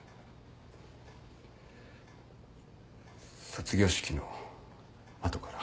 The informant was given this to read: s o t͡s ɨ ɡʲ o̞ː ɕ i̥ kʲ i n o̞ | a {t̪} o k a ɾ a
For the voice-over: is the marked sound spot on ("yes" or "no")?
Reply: yes